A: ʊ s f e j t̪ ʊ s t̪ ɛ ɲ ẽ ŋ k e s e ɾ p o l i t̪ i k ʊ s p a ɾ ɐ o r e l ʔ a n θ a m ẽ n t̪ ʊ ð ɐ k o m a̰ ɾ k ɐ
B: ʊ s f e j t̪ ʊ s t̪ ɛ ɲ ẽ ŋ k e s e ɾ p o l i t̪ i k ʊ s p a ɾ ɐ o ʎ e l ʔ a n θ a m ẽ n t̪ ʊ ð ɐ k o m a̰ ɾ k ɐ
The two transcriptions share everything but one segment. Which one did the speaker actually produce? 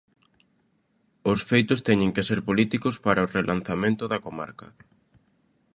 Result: A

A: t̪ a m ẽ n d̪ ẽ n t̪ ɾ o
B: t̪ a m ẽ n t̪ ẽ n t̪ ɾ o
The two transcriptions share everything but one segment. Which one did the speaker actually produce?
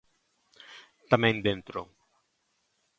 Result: A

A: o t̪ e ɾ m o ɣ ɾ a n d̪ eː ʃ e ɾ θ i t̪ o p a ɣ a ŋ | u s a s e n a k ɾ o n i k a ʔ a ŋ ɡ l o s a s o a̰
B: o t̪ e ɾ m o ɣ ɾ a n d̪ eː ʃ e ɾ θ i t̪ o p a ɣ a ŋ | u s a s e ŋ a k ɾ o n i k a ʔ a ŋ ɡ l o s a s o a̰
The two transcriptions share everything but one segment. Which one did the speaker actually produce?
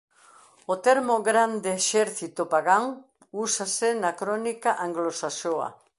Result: A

